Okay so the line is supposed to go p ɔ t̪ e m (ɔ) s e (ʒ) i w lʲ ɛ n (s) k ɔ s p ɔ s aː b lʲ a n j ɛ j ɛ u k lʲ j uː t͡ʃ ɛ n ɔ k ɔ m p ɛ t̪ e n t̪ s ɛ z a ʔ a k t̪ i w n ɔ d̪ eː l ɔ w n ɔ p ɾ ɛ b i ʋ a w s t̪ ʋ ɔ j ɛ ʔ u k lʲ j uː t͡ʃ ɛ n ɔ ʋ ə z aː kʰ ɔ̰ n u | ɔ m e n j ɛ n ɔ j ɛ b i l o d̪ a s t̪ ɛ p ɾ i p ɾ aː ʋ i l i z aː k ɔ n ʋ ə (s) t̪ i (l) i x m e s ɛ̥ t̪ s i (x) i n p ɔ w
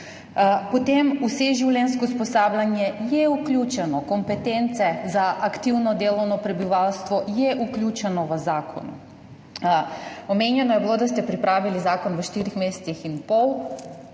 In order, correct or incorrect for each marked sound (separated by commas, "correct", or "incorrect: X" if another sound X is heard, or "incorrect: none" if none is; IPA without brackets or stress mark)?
incorrect: u, correct, correct, incorrect: ʃ, incorrect: ɾ, correct